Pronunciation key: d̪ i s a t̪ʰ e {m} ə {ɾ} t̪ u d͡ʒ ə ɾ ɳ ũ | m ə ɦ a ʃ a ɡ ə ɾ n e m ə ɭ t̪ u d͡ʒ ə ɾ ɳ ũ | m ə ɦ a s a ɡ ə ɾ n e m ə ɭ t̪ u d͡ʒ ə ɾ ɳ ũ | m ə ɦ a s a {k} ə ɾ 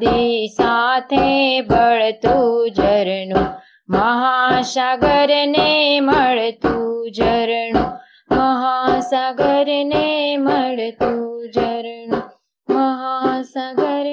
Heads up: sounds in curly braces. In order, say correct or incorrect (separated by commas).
incorrect, incorrect, incorrect